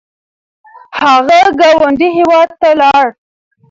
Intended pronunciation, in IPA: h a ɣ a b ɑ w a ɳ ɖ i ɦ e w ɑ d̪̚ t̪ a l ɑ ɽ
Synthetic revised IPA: h a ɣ a ɡ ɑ w a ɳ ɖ i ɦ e w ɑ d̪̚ t̪ a l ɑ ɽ